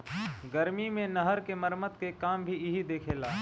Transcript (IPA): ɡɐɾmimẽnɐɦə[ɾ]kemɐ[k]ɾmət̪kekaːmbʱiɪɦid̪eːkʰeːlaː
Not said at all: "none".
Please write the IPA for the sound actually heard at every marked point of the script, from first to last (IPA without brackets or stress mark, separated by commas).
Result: ɾ, none